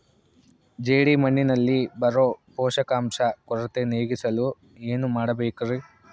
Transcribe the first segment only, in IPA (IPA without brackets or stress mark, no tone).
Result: d͡ʒ